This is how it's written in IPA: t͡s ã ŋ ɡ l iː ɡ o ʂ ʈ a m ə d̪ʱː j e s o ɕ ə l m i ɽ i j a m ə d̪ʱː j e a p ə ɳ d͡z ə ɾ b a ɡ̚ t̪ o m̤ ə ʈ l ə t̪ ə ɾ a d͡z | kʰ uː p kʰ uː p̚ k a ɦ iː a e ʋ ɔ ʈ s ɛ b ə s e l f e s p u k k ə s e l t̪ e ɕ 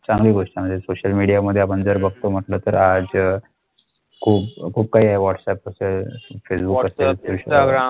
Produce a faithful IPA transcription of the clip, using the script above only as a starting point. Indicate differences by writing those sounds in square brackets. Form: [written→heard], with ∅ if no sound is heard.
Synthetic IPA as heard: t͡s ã ŋ ɡ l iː ɡ o ʂ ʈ a m ə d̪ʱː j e s o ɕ ə l m i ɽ i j a m ə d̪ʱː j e a p ə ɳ d͡z ə ɾ b [a→ə] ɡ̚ t̪ o m̤ ə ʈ l ə t̪ ə ɾ a d͡z | kʰ uː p kʰ uː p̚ k a ɦ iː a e ʋ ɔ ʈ s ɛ [b→p] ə s e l f e s [p→b] u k k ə s e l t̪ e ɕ